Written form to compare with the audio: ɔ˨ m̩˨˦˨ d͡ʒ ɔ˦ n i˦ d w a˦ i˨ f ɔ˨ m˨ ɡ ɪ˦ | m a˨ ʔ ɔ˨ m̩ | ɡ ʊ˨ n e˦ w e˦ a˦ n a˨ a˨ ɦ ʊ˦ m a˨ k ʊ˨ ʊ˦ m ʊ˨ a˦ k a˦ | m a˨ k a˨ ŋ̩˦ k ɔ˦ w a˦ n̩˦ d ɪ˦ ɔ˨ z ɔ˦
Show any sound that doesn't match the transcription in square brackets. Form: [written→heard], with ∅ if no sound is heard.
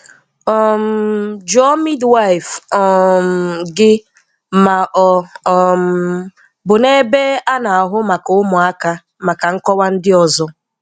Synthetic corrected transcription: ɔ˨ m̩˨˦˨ d͡ʒ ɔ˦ [n→m] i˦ d w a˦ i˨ f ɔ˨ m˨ ɡ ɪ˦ | m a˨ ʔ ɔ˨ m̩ | [ɡ→b] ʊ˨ n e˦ [w→b] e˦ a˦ n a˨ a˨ ɦ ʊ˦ m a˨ k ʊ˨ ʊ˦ m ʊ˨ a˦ k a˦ | m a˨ k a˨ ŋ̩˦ k ɔ˦ w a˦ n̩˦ d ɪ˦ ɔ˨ z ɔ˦

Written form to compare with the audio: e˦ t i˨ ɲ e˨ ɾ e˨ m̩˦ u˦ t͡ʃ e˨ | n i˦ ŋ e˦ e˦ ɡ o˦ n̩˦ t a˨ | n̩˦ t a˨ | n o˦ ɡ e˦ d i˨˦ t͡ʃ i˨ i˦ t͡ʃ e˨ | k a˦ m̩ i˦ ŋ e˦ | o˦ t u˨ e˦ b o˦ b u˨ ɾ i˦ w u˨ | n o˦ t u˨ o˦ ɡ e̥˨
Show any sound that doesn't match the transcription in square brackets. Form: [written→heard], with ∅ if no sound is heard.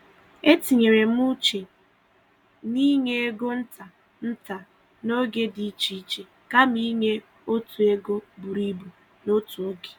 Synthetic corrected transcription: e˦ t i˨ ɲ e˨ ɾ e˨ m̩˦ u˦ t͡ʃ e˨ | n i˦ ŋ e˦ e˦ ɡ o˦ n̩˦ t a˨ | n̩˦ t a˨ | n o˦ ɡ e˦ d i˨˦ t͡ʃ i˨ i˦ t͡ʃ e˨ | k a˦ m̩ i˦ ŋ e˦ | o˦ t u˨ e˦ [b→ɡ] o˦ b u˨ ɾ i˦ [w→b] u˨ | n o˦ t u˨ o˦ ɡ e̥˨

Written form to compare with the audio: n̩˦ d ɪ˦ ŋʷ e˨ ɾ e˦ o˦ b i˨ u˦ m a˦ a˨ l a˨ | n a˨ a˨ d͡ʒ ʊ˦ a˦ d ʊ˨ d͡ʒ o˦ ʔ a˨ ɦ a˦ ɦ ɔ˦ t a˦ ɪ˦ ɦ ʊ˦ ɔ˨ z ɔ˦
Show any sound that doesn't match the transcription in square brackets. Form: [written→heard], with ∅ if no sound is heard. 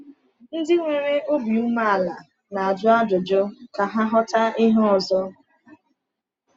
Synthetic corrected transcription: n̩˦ d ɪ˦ ŋʷ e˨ ɾ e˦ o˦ b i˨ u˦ m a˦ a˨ l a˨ | n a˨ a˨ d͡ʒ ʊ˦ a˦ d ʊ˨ d͡ʒ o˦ [ʔ→k] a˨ ɦ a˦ ɦ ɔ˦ t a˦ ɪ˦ ɦ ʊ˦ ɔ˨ z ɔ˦

